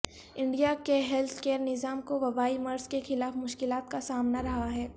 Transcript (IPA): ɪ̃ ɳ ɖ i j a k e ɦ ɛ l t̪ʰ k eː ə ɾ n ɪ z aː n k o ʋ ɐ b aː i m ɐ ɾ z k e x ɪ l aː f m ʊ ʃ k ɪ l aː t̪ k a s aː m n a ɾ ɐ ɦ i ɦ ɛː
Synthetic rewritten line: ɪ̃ ɳ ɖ i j a k e ɦ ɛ l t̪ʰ k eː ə ɾ n ɪ z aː m k o ʋ ɐ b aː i m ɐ ɾ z k e x ɪ l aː f m ʊ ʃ k ɪ l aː t̪ k a s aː m n a ɾ ɐ ɦ a ɦ ɛː